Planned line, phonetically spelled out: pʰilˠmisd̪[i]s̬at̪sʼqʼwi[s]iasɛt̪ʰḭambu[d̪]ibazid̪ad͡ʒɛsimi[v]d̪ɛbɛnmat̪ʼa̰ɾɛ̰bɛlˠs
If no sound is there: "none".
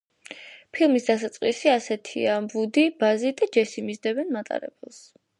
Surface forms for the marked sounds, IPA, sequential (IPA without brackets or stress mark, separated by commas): a, s, d̪, z